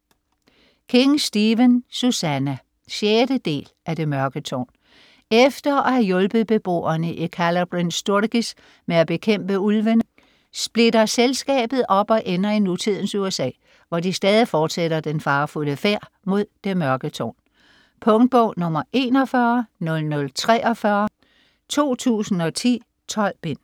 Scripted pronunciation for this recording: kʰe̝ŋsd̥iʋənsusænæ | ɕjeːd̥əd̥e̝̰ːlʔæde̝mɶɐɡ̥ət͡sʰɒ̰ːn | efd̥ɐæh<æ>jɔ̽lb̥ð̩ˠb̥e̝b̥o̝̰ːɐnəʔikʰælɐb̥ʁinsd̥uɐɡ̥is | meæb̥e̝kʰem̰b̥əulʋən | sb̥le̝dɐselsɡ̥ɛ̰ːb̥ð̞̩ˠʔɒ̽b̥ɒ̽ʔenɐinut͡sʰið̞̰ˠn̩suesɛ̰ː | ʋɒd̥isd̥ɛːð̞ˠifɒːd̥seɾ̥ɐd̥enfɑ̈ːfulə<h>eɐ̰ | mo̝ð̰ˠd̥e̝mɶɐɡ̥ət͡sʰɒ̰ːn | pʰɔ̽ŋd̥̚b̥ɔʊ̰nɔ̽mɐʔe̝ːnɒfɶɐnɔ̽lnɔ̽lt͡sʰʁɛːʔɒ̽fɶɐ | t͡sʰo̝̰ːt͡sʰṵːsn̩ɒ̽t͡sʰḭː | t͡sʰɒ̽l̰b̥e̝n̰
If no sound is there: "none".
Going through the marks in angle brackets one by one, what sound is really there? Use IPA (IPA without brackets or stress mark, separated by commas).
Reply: æ, f